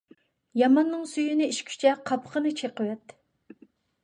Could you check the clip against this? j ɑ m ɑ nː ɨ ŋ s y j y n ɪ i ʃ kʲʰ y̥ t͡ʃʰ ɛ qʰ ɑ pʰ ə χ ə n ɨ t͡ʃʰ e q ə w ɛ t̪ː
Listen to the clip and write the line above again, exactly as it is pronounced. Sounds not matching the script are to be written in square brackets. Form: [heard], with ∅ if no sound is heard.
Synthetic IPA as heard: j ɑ m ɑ nː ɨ ŋ s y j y n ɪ i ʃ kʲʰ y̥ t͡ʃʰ ɛ qʰ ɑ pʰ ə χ ə n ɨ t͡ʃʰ e q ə w ɛ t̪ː

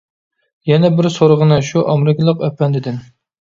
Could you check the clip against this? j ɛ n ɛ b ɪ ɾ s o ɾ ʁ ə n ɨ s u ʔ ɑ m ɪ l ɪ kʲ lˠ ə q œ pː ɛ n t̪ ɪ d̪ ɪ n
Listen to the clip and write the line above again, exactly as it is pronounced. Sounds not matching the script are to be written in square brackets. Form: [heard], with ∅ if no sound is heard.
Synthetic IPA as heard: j ɛ n ɛ b ɪ ɾ s o ɾ ʁ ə n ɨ [ʃ] u ʔ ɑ m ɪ [ɾ] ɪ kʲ lˠ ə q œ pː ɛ n [d̪] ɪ d̪ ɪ n

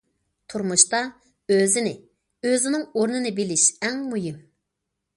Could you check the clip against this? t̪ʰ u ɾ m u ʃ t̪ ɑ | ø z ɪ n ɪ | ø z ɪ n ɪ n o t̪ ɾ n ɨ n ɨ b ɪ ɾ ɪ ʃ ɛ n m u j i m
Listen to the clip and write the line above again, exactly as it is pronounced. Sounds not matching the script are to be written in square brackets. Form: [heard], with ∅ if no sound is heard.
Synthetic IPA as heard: t̪ʰ u ɾ m u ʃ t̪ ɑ | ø z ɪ n ɪ | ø z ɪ n ɪ [ŋ] o [∅] ɾ n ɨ n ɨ b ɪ [l] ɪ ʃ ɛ [ŋ] m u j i m

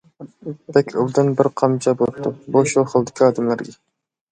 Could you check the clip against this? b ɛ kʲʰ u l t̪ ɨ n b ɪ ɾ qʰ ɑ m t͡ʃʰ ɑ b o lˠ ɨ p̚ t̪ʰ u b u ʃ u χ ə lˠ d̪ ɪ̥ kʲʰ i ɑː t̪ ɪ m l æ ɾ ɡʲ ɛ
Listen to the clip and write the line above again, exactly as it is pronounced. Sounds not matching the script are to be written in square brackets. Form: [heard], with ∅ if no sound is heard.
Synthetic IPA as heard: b ɛ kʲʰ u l [d̪] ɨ n b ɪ ɾ qʰ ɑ m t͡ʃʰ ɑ b o lˠ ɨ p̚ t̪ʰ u b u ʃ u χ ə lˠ d̪ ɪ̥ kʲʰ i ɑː [d̪] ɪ m l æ ɾ ɡʲ ɛ

